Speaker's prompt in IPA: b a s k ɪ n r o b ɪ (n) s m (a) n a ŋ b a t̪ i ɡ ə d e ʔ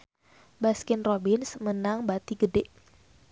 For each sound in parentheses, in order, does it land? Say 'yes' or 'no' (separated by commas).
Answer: yes, no